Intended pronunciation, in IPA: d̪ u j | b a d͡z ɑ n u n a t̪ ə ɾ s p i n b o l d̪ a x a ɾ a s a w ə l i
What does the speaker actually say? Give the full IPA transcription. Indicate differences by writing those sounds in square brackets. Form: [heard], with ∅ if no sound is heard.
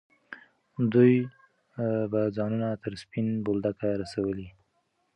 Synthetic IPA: d̪ u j | b a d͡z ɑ n u n a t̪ ə ɾ s p i n b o l d̪ a [k] a ɾ a s a w ə l i